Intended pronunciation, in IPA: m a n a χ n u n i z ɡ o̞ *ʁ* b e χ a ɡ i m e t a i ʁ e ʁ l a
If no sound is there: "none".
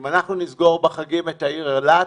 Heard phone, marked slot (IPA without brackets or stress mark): ʁ